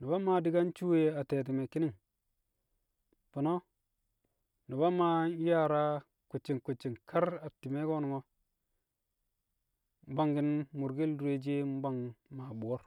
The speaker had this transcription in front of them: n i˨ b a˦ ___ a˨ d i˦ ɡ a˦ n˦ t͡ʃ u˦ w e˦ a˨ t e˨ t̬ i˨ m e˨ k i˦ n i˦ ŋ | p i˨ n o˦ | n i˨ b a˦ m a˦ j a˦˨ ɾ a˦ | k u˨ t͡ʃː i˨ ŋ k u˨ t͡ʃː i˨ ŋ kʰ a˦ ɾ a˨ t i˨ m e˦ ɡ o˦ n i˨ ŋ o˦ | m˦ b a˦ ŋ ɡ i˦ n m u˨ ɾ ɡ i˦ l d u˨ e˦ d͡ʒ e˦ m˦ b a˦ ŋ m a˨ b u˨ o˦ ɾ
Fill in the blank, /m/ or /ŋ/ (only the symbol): m